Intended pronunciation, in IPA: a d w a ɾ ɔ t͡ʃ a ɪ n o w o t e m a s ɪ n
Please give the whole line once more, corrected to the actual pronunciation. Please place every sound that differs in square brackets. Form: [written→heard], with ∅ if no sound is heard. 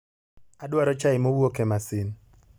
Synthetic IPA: a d w a ɾ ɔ t͡ʃ a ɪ [n→m] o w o [t→k] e m a s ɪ n